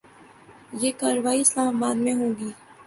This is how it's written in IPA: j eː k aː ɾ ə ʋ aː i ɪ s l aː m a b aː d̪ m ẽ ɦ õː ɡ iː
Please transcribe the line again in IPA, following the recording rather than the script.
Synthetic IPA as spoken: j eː k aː ɾ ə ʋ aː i ɪ s l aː m a b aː d̪ m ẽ ɦ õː ɡ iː